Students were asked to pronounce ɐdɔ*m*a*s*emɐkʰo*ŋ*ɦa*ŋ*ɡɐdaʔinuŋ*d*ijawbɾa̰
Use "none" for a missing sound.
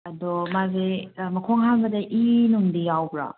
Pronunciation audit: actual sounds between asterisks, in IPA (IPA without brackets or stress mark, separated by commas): m, z, ŋ, ŋ, d